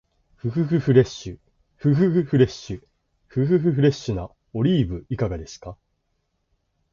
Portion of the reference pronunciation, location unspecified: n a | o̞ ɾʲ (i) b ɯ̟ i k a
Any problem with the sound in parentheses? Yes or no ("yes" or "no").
yes